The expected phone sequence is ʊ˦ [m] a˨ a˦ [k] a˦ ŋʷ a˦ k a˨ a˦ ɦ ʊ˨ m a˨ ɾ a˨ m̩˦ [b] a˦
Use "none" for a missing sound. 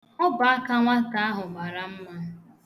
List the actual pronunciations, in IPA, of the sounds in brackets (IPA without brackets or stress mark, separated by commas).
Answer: b, k, m